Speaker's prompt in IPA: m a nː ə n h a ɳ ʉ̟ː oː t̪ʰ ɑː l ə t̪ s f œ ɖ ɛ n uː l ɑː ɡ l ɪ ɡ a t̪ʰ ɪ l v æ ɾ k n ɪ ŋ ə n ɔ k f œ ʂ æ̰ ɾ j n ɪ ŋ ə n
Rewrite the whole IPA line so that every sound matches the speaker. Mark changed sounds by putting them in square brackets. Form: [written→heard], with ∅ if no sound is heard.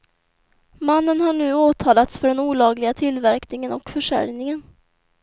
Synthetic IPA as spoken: m a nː ə n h a ɳ ʉ̟ː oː t̪ʰ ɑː l [ə→a] t̪ s f œ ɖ ɛ n uː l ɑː ɡ l ɪ ɡ a t̪ʰ ɪ l v æ ɾ k n ɪ ŋ ə n ɔ k f œ ʂ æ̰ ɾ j n ɪ ŋ ə n